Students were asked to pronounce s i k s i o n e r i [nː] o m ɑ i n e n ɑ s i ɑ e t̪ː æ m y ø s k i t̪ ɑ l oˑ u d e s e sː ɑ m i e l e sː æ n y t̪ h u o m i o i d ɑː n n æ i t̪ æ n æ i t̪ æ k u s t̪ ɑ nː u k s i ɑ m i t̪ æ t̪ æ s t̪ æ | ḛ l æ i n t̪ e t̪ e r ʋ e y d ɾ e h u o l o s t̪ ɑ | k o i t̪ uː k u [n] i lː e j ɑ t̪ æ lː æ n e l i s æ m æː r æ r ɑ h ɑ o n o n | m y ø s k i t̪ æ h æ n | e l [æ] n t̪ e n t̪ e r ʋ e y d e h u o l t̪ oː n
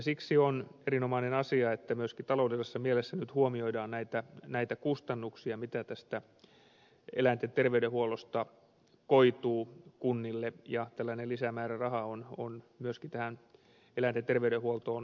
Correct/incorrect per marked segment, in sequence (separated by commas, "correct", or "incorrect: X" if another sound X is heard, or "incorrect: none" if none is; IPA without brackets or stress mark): incorrect: n, incorrect: nː, correct